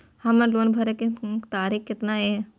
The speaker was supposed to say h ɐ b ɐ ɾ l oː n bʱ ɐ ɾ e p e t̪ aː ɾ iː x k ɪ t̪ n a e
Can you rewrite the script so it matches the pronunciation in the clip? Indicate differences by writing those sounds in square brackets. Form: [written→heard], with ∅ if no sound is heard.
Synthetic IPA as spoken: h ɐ [b→m] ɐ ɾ l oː n bʱ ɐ ɾ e [p→k] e t̪ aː ɾ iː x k ɪ t̪ n a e